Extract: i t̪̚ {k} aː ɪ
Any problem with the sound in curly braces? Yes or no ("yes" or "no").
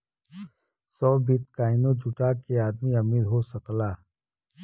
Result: no